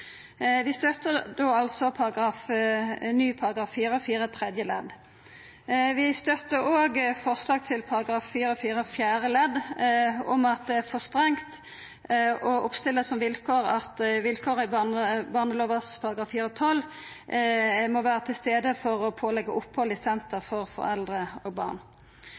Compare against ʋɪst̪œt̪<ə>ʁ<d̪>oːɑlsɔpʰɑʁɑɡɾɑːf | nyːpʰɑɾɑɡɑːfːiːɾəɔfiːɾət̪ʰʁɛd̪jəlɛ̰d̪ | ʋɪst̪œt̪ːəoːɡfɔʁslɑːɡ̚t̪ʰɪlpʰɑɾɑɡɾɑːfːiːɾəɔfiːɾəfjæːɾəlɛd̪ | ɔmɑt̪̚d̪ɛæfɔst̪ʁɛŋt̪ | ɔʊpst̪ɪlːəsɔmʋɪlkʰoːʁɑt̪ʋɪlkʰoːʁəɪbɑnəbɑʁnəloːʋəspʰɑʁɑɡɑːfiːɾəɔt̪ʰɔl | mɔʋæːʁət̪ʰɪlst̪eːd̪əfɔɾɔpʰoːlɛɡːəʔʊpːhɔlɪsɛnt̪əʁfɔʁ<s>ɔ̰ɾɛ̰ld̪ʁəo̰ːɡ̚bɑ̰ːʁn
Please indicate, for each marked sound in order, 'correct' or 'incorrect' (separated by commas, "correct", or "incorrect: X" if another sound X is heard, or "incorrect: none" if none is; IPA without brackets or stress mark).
correct, correct, incorrect: f